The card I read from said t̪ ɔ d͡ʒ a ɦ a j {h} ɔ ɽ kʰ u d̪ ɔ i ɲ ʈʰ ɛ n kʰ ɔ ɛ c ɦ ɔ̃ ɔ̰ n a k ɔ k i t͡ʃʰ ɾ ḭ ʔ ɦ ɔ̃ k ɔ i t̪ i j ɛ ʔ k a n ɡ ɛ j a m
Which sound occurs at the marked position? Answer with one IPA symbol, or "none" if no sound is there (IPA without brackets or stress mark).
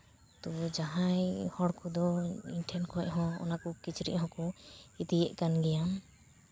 h